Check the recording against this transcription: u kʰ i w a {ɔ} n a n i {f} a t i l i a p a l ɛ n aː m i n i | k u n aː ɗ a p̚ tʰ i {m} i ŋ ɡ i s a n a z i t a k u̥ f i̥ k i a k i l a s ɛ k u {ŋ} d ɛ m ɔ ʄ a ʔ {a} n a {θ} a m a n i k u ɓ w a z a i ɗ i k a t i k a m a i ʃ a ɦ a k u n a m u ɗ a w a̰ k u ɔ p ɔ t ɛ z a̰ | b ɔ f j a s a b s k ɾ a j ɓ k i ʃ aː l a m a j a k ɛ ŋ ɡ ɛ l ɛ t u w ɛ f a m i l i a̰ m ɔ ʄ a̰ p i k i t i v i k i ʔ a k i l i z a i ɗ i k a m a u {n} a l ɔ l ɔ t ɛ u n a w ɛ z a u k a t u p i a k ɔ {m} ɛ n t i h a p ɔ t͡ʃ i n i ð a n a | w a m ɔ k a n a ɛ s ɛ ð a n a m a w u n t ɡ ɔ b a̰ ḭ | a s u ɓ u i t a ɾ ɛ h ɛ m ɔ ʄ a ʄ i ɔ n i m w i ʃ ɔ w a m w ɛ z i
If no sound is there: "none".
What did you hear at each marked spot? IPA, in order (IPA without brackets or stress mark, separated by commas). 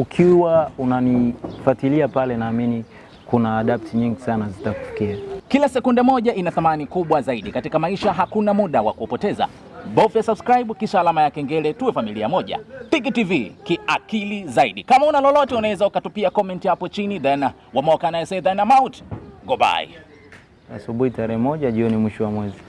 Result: u, f, ɲ, n, i, θ, n, m